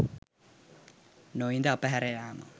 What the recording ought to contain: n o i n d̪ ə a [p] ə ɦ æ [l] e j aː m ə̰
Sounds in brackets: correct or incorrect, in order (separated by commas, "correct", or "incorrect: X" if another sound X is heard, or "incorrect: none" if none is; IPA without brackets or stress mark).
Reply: correct, incorrect: ɾ